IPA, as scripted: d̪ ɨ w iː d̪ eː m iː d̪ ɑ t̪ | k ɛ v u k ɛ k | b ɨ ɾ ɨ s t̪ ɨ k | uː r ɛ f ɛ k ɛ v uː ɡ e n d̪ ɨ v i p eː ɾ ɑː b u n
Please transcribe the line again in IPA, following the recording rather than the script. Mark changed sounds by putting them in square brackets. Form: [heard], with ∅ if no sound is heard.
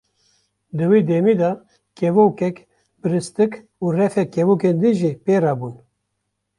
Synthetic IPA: d̪ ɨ w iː d̪ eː m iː d̪ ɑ [∅] | k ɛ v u k ɛ k | b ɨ ɾ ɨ s t̪ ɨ k | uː r ɛ f ɛ k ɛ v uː [k] e n d̪ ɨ [ʒ] i p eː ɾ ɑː b u n